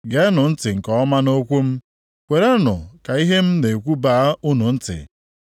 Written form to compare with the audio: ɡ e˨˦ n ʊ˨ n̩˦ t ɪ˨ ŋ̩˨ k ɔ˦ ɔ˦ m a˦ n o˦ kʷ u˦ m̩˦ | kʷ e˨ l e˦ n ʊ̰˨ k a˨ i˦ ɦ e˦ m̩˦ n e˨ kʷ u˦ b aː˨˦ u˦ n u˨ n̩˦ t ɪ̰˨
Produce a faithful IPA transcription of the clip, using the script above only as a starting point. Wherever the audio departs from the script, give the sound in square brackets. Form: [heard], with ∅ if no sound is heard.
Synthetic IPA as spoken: ɡ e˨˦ n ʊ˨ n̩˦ t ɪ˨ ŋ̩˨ k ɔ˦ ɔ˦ m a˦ n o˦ kʷ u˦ m̩˦ | kʷ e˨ [ɾ] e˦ n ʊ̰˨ k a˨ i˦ ɦ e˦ m̩˦ n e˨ kʷ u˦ b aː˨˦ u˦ n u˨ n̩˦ t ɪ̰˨

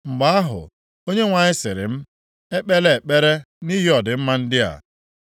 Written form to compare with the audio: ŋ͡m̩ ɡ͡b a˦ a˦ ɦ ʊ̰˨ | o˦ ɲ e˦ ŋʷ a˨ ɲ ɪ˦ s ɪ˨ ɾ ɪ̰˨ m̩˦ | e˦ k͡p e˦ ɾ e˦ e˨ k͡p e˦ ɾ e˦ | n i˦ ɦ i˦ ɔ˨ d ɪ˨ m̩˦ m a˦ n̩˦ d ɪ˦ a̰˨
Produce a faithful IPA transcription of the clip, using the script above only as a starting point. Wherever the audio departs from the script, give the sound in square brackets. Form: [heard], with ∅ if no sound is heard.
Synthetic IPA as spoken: ŋ͡m̩ ɡ͡b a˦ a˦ ɦ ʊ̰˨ | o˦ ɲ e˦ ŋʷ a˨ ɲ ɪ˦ s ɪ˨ ɾ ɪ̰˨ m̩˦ | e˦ k͡p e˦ [l] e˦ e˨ k͡p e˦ ɾ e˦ | n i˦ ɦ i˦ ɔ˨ d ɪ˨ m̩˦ m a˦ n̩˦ d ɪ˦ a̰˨

